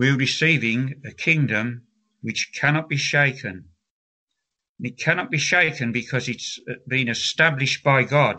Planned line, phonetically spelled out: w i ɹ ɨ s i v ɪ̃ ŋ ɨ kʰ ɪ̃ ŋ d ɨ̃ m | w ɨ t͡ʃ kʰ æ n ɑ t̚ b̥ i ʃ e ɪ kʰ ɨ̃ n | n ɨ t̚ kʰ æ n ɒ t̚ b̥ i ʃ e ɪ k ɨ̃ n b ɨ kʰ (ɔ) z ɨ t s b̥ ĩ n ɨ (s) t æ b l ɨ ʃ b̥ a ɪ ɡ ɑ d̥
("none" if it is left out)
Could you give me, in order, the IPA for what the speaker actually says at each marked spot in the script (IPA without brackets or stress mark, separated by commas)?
ʌ, s